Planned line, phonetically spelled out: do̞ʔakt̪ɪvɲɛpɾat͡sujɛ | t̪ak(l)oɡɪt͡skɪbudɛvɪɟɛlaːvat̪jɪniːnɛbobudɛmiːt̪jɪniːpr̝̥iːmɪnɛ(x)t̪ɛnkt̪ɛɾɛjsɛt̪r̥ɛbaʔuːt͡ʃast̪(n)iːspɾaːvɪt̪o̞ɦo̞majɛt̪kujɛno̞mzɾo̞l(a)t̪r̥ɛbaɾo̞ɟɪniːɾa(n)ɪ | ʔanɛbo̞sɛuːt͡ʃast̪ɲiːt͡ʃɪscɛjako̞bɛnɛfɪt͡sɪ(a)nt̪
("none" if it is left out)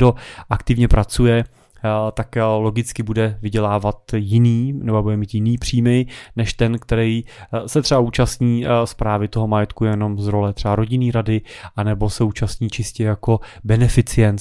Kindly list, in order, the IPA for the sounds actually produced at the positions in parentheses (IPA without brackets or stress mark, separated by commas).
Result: l, ʃ, ɲ, ɛ, d, ɛ